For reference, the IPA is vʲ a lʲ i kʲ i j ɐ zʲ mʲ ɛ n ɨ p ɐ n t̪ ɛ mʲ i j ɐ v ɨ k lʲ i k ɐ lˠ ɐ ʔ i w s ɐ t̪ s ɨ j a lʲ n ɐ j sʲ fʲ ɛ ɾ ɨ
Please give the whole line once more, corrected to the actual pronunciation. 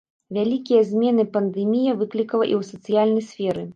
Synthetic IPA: vʲ a lʲ i kʲ i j ɐ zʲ mʲ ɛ n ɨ p ɐ n d̪ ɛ mʲ i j ɐ v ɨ k lʲ i k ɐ lˠ ɐ ʔ i w s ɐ t̪ s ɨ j a lʲ n ɐ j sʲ fʲ ɛ ɾ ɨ

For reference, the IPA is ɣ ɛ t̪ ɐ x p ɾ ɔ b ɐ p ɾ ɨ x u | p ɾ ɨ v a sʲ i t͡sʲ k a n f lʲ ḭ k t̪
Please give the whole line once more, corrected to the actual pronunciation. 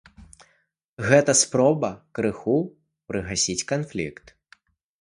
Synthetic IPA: ɣ ɛ t̪ ɐ s p ɾ ɔ b ɐ k ɾ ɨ x u | p ɾ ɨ ɣ a sʲ i t͡sʲ k a n f lʲ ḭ k t̪

